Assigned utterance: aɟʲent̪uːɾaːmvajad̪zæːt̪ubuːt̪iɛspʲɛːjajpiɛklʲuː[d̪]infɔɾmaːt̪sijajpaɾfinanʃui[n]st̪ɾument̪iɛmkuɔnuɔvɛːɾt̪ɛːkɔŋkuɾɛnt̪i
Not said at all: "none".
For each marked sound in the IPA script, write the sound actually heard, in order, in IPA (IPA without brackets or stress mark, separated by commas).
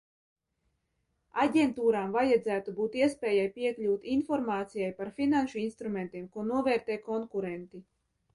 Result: t̪, n